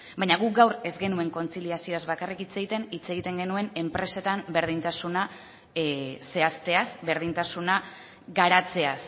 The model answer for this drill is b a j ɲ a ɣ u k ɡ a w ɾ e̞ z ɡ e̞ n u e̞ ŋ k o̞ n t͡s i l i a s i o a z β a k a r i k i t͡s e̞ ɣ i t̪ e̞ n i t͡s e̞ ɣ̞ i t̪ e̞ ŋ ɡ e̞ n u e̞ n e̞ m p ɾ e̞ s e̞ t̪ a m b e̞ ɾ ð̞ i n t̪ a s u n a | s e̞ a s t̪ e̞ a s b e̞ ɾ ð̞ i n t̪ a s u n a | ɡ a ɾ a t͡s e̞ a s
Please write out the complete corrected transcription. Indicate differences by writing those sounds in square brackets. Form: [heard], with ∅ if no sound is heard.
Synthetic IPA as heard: b a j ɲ a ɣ u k ɡ a w ɾ e̞ z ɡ e̞ n u e̞ ŋ k o̞ n t͡s i l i a s i o a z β a k a r i k i t͡s e̞ ɣ i t̪ e̞ n i t͡s e̞ ɣ̞ i t̪ e̞ ŋ ɡ e̞ n u e̞ n e̞ m p ɾ e̞ s e̞ t̪ a m b e̞ ɾ ð̞ i n t̪ a s u n a | s e̞ a s t̪ e̞ a s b e̞ ɾ ð̞ i n t̪ a s u n a | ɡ a ɾ a t͡s e̞ a s